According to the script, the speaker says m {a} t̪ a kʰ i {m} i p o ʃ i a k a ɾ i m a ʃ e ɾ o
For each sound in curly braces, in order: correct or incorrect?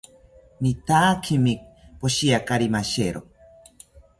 incorrect, correct

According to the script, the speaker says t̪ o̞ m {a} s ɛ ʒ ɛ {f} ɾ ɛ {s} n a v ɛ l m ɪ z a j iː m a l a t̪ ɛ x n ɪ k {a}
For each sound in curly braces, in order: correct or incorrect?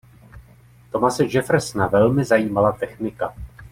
correct, correct, correct, correct

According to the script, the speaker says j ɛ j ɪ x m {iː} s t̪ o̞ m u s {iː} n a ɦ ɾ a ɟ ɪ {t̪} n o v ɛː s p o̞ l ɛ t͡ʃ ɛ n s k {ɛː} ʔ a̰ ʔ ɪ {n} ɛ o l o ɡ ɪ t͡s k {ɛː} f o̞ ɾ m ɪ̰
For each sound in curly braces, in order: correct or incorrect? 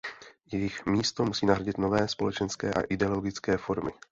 correct, correct, correct, correct, incorrect, correct

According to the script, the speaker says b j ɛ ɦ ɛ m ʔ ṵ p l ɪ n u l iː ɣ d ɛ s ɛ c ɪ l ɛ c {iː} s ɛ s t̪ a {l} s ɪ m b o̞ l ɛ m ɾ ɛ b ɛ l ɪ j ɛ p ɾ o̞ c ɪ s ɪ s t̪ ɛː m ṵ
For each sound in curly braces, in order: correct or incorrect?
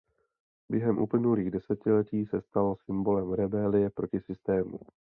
correct, correct

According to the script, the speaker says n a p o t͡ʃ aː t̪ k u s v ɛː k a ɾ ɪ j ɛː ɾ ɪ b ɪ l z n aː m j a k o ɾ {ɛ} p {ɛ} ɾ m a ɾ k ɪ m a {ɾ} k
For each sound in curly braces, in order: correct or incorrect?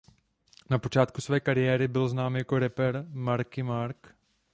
correct, correct, correct

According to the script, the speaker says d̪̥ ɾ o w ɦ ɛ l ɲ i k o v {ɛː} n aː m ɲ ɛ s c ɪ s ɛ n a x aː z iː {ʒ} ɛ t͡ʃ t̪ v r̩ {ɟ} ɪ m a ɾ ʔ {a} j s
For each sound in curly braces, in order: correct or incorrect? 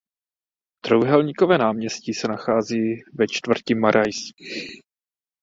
correct, incorrect, incorrect, correct

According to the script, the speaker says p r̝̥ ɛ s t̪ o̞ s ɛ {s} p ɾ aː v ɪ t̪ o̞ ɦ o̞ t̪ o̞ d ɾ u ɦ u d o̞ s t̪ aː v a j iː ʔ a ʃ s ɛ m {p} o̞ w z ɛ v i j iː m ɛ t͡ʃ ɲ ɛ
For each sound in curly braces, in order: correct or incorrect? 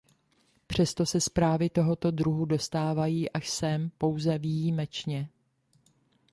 correct, correct

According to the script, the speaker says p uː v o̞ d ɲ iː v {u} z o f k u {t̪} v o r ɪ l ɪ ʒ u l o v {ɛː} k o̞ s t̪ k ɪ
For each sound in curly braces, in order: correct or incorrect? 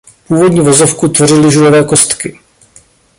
incorrect, correct, correct

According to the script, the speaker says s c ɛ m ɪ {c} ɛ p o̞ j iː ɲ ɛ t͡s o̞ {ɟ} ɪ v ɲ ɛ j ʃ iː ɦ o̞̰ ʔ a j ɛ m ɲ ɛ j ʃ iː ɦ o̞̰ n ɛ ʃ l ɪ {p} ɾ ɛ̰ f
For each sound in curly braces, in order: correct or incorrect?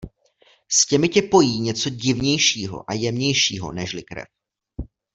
correct, correct, incorrect

